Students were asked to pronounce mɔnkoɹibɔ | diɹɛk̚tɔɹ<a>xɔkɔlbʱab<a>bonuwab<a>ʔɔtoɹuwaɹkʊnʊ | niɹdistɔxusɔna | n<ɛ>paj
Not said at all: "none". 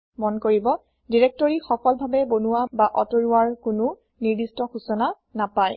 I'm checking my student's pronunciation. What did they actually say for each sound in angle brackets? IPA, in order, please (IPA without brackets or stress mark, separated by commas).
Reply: i, ɛ, a, a